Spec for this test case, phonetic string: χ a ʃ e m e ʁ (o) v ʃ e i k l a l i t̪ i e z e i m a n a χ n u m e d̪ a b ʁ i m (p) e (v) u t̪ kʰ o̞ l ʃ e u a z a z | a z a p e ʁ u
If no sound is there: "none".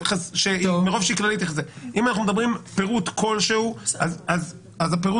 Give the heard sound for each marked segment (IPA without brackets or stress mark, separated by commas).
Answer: o, p, ʁ